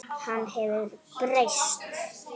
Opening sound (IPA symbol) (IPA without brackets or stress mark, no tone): h